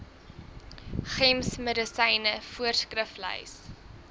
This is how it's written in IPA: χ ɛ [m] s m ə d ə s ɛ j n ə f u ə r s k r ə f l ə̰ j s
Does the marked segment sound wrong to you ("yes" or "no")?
no